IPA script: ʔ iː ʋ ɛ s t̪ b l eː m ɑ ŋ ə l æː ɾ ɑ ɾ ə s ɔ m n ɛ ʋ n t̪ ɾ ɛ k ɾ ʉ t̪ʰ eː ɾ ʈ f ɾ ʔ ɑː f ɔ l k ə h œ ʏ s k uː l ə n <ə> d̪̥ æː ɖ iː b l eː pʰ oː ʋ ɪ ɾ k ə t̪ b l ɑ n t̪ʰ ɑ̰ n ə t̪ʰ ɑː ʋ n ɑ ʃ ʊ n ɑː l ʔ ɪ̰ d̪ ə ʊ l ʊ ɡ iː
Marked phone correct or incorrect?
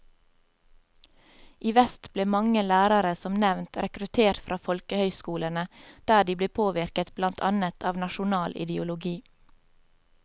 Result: correct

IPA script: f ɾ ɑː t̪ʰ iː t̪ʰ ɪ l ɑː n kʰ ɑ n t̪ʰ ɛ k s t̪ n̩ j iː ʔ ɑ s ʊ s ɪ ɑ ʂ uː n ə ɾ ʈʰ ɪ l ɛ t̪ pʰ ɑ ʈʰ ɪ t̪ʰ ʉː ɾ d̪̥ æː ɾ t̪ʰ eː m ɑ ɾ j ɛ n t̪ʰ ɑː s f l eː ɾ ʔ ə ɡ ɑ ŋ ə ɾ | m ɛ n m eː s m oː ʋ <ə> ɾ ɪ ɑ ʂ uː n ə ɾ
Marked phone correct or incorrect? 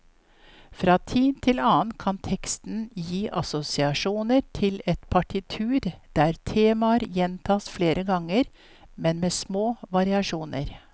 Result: incorrect: ɑ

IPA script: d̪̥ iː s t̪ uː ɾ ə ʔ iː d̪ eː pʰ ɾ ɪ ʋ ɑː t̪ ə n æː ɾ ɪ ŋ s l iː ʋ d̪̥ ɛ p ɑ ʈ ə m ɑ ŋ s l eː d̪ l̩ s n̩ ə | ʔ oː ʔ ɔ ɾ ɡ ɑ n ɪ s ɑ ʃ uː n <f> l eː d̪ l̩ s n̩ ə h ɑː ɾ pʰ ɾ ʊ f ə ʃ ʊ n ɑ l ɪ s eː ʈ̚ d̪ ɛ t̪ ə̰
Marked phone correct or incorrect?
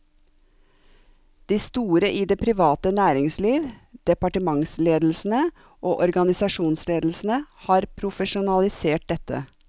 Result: incorrect: s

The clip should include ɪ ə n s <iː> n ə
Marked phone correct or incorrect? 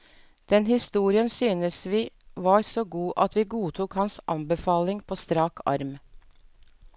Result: incorrect: yː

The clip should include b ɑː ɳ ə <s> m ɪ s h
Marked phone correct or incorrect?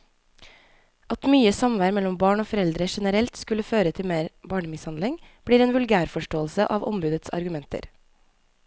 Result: incorrect: none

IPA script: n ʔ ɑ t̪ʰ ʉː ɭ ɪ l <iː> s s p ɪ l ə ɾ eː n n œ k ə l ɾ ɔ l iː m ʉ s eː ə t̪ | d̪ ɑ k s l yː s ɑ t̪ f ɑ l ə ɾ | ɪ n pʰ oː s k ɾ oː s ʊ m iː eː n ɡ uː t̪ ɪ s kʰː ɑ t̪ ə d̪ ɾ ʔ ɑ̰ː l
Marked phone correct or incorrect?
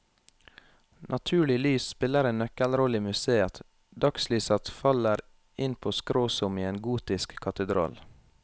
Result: incorrect: yː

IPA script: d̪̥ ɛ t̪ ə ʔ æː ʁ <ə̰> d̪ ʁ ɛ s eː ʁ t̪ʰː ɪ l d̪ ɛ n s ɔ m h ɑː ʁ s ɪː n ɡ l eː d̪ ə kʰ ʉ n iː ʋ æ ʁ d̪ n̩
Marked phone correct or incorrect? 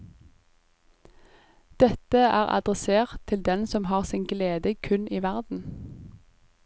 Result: incorrect: ɑ̰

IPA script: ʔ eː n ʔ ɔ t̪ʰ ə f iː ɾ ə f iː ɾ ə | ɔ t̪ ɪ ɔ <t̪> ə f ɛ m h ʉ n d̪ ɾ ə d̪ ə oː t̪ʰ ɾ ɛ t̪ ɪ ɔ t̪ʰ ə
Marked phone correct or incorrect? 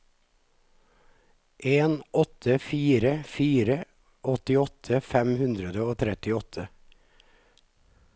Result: incorrect: t̪ʰ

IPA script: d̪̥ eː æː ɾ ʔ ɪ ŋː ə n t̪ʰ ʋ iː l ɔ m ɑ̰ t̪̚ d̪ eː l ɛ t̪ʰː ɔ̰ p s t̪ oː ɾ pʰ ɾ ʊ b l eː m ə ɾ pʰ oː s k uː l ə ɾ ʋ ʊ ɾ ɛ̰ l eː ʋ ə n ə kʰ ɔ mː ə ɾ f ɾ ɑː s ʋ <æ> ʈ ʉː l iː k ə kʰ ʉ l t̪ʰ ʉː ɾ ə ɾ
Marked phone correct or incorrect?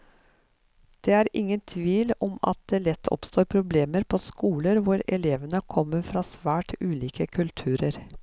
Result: incorrect: æː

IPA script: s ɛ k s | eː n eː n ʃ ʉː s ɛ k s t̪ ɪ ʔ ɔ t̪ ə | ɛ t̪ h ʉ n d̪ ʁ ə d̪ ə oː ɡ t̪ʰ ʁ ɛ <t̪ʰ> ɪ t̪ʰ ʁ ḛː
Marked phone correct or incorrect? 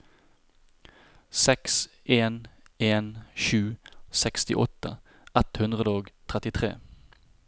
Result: incorrect: t̪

